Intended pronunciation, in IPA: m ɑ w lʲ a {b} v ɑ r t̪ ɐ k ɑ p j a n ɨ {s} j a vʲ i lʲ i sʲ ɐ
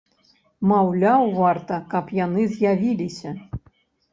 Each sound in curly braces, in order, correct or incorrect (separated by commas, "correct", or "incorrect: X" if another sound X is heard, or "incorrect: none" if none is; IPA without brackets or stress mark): incorrect: w, incorrect: z